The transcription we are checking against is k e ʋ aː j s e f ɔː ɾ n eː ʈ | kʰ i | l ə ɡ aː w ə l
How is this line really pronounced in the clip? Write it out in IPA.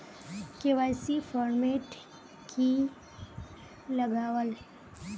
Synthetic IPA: k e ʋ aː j s i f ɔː ɾ m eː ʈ | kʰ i | l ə ɡ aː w ə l